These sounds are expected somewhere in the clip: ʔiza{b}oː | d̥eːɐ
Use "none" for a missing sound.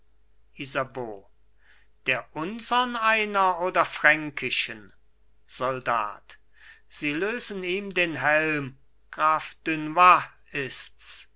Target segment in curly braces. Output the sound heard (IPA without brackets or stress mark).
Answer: b